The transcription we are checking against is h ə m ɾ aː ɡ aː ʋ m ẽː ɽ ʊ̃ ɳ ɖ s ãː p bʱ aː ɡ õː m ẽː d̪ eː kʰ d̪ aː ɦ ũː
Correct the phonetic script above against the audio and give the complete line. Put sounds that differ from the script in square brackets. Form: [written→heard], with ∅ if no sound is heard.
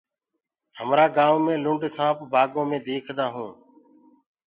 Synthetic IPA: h ə m ɾ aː ɡ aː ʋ m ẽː [ɽ→l] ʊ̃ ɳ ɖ s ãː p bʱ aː ɡ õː m ẽː d̪ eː kʰ d̪ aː ɦ ũː